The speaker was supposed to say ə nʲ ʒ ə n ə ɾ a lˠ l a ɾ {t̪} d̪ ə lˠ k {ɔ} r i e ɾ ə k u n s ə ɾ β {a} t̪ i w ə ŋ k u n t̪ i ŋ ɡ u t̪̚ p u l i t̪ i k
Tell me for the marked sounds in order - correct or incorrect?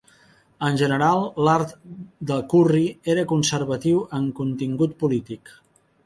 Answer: correct, incorrect: u, incorrect: ə

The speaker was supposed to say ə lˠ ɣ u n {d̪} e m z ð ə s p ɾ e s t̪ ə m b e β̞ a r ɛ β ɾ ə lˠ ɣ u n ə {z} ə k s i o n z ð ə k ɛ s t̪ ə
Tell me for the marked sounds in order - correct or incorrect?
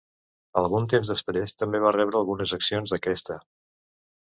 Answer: incorrect: t̪, correct

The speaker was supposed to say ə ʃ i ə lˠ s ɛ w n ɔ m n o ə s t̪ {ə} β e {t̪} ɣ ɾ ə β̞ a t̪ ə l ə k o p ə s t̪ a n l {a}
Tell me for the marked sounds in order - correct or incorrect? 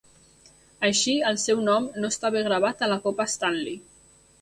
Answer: incorrect: a, incorrect: none, incorrect: i

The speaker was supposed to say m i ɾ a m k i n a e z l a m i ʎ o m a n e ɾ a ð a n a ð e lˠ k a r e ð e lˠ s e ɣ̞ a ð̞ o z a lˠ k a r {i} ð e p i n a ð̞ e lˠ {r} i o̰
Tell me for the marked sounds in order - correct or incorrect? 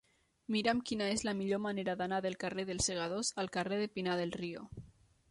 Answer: incorrect: e, correct

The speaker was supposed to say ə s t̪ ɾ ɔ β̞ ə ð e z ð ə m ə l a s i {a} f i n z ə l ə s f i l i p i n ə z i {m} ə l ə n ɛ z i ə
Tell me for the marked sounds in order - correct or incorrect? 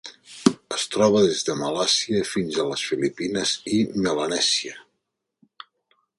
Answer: incorrect: ə, correct

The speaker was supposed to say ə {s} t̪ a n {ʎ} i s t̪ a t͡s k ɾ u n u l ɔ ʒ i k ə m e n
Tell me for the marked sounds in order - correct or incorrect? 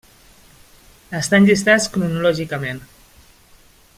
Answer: correct, correct

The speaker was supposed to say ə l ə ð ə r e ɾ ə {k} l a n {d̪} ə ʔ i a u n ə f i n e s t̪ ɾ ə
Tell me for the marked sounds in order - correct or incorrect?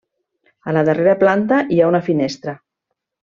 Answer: incorrect: p, incorrect: t̪

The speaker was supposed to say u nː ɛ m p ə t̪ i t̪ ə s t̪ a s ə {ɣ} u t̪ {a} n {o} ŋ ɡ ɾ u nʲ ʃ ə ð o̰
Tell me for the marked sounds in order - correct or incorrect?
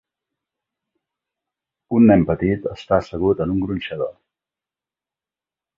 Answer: correct, incorrect: ə, incorrect: u

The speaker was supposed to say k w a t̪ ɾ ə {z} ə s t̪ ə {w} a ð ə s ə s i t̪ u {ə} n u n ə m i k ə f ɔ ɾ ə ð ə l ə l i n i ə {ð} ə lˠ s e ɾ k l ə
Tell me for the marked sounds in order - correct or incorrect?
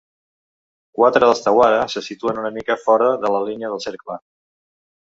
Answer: incorrect: ð, correct, correct, correct

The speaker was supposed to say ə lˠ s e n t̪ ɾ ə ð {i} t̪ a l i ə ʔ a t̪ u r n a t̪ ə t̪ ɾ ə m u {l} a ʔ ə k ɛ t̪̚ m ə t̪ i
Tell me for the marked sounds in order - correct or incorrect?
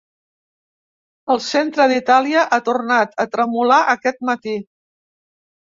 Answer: correct, correct

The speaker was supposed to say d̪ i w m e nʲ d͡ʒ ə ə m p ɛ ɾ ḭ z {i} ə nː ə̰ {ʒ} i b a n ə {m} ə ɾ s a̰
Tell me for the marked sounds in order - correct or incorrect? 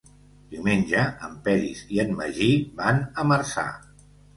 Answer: correct, correct, correct

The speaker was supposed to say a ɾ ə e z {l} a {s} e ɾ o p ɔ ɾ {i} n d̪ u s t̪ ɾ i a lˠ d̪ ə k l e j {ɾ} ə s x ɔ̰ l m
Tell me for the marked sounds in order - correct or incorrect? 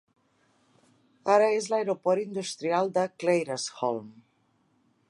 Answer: correct, incorrect: none, correct, correct

